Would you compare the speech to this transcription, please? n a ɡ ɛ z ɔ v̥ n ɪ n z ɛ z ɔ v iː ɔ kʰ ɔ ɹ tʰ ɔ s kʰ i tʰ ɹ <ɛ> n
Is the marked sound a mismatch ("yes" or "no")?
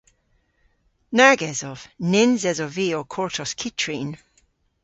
yes